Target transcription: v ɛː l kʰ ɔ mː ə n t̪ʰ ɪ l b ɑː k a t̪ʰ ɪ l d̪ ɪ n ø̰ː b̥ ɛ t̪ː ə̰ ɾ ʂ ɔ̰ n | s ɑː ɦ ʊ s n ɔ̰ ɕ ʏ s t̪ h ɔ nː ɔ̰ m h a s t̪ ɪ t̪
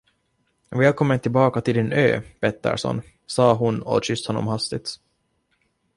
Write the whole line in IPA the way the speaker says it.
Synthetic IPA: v ɛː l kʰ ɔ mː ə n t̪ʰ ɪ l b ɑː k a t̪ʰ ɪ l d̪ ɪ n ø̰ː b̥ ɛ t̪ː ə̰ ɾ ʂ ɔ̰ n | s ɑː ɦ ʊ n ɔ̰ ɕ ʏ s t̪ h ɔ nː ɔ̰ m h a s t̪ ɪ t̪